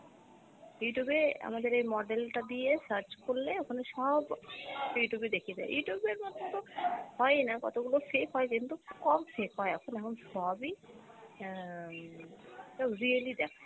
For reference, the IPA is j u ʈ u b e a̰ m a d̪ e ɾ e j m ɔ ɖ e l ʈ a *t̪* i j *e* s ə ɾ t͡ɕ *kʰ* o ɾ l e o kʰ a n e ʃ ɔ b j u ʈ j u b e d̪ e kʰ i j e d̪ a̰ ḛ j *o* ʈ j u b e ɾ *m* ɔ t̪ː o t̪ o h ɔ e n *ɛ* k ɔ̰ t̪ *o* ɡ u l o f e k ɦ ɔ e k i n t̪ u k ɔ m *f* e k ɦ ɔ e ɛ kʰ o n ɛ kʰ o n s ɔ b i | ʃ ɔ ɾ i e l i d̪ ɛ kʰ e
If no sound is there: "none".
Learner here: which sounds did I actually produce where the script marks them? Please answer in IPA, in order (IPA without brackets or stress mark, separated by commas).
d̪, e, k, u, m, a, o, f